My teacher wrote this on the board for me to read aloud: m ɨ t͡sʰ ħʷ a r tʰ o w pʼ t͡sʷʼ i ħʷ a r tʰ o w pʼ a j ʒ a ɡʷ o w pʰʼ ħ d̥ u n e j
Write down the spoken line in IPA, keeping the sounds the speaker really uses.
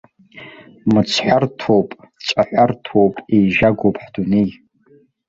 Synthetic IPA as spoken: m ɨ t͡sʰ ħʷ a r tʰ o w pʼ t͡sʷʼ a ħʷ a r tʰ o w pʼ e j ʒ a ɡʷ o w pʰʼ ħ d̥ u n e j